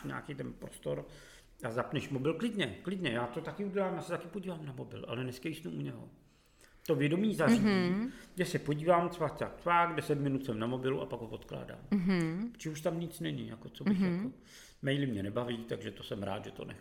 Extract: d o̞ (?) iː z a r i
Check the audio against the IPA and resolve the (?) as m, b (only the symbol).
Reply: m